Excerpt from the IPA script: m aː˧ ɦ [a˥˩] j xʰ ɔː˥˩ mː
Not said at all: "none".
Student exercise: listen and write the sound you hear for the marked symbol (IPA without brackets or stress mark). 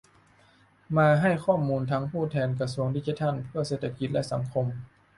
a˥˩